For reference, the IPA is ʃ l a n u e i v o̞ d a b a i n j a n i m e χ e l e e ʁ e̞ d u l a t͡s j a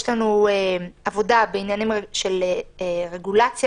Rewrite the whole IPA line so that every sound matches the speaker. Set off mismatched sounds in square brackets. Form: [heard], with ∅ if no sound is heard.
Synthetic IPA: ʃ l a n u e [a] v o̞ d a b [e] i n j a n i m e [ʃ] e l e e ʁ e̞ [ɡ] u l a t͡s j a

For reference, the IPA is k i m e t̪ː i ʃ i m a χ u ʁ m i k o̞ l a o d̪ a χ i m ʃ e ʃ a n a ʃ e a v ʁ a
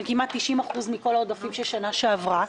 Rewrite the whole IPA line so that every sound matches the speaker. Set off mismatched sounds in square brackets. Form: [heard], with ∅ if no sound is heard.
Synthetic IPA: k i m [a] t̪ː i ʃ i m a χ u [z] m i k o̞ l a o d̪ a [f] i m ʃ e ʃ a n a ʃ e a v ʁ a

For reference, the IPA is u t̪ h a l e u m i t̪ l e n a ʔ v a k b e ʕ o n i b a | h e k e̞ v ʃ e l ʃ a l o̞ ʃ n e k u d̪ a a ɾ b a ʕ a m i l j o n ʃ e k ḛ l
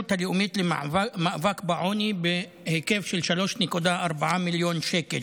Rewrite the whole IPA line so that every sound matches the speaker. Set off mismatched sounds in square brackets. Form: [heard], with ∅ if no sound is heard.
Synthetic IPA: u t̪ h a l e u m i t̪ l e [m] a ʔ v a k b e ʕ o n i b [e] | h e k e̞ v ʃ e l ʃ a l o̞ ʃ n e k u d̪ a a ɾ b a ʕ a m i l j o n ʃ e k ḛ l

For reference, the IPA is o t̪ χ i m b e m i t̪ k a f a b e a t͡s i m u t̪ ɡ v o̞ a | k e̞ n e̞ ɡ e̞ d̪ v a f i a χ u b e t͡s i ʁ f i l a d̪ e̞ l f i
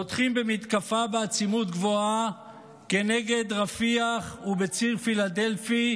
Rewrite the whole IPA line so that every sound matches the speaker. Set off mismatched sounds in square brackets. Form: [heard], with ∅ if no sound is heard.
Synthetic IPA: o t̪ χ i m b e m i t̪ k a f a b e a t͡s i m u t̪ ɡ v o̞ a | k e̞ n e̞ ɡ e̞ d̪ [ʁ] a f i a χ u b e t͡s i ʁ f i l a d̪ e̞ l f i

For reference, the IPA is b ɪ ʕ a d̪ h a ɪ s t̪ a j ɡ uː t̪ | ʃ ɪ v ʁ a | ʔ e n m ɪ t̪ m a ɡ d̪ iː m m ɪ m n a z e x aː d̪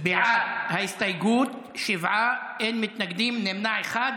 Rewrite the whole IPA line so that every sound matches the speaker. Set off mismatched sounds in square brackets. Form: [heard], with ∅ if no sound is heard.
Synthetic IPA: b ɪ ʕ a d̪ h a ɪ s t̪ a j ɡ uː t̪ | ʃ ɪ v [ʕ] a | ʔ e n m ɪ t̪ [n] a ɡ d̪ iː m [n] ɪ m n a [ʕ] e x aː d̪

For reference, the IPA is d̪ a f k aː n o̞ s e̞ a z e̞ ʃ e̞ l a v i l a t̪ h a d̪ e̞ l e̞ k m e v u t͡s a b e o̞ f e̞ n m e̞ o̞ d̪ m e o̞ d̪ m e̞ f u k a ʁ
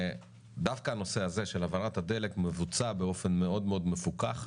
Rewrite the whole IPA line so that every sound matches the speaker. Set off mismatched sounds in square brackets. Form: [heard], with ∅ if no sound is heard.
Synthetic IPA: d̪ a f k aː n o̞ s e̞ a z e̞ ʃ e̞ l a v [a] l a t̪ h a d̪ e̞ l e̞ k m e v u t͡s a b e o̞ f e̞ n m e̞ o̞ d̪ m e o̞ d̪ m e̞ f u k a [χ]

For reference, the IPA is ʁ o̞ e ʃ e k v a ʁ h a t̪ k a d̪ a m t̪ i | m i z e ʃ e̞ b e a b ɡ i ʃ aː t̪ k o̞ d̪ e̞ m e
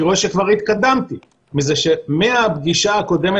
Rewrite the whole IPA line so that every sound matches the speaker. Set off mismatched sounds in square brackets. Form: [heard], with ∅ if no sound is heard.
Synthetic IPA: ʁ o̞ e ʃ e k v a ʁ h [i] t̪ k a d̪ a m t̪ i | m i z e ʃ e̞ [m] e a b ɡ i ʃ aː [∅] k o̞ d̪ e̞ m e

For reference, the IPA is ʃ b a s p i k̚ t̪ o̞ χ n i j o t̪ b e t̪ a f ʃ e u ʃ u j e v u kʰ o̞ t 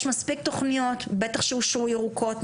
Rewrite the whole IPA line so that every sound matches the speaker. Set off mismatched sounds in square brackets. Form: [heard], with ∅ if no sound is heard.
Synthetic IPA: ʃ [m] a s p i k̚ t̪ o̞ χ n i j o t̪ b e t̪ a [χ] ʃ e u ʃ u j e [ʁ] u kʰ o̞ t

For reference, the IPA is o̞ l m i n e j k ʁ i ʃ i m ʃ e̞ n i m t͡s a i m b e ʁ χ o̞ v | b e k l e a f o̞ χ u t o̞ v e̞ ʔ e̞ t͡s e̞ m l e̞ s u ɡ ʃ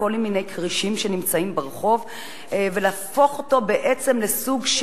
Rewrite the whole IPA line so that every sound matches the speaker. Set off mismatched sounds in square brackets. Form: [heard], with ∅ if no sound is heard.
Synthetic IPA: o̞ l m i n e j k ʁ i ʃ i m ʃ e̞ n i m t͡s a i m b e ʁ χ o̞ v | [v] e [∅] l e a f o̞ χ [o] t o̞ [b] e̞ ʔ e̞ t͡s e̞ m l e̞ s u ɡ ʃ

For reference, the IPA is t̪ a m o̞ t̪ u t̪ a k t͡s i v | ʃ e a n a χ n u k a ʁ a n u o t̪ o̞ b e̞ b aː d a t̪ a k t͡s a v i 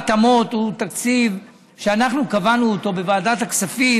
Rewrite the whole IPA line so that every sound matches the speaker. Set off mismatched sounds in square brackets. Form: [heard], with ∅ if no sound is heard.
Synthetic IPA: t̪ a m o̞ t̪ u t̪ a k t͡s i v | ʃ e a n a χ n u k a [v] a n u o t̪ o̞ b e̞ [v] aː d a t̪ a k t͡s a [f] i

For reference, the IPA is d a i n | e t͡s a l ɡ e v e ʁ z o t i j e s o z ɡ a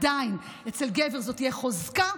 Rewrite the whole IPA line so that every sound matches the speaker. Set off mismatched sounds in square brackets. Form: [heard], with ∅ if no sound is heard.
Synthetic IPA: d a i n | e t͡s [e] l ɡ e v e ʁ z o t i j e [χ] o z [k] a

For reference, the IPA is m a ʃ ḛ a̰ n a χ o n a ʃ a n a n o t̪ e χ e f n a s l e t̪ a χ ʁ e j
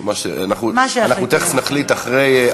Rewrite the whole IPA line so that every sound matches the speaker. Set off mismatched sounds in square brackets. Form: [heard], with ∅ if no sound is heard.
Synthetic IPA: m a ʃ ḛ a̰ n a χ [u] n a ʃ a n a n [u] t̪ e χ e f n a [χ] l [i] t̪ a χ ʁ e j

